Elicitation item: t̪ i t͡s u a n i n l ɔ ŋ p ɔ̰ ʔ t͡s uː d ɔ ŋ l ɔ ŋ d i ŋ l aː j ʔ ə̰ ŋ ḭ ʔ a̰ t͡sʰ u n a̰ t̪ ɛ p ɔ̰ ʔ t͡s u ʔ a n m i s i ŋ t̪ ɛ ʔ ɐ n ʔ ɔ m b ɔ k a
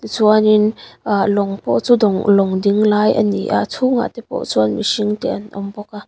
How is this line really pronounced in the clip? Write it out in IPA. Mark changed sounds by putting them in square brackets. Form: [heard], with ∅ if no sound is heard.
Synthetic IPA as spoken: t̪ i t͡s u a n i n l ɔ ŋ p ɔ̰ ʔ t͡s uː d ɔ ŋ l ɔ ŋ d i ŋ l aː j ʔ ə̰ [n] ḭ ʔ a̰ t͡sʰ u [ŋ] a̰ t̪ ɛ p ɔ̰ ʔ t͡s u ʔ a n m i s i ŋ t̪ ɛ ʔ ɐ n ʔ ɔ m b ɔ k a